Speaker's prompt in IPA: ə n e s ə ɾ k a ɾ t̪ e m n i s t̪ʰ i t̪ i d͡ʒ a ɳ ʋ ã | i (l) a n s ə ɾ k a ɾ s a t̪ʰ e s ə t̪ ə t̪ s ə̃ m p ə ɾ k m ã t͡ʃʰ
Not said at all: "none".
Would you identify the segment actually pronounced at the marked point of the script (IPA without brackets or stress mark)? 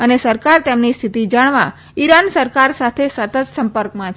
ɾ